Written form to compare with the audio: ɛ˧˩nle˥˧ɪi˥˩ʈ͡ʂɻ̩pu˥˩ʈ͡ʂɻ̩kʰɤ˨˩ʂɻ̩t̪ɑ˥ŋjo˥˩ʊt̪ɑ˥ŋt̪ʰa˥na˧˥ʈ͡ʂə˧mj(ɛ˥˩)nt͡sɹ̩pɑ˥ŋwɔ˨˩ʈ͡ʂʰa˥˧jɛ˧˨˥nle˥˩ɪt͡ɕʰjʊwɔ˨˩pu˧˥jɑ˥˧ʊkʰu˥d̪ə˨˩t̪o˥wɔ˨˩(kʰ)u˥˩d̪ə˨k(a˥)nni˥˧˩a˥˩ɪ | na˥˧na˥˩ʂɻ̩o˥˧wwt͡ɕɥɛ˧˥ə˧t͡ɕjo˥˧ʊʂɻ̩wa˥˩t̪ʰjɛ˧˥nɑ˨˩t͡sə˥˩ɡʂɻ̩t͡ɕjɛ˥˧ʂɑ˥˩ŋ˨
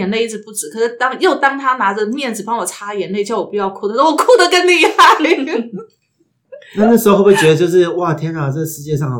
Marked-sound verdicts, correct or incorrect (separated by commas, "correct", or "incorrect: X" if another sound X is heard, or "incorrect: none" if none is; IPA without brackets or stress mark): correct, correct, incorrect: ə˥